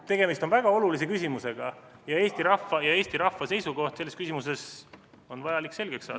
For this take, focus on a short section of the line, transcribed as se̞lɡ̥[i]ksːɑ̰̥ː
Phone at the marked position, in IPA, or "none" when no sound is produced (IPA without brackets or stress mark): e